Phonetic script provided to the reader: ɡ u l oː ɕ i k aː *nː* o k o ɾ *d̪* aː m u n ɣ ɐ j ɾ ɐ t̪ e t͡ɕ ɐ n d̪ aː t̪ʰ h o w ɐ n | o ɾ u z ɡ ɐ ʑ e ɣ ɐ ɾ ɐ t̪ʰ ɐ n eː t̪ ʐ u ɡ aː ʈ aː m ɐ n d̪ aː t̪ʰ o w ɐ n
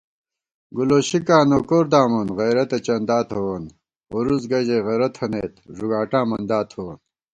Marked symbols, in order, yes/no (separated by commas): no, yes